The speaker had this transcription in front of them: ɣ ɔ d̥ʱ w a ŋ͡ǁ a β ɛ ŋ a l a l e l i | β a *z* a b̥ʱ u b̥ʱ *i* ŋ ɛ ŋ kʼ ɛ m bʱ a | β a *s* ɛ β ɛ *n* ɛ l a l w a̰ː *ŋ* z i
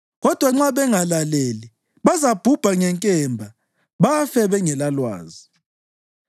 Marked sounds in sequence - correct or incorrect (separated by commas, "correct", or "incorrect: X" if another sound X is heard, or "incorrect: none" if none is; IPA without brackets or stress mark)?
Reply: correct, incorrect: a, incorrect: f, incorrect: ŋ, incorrect: none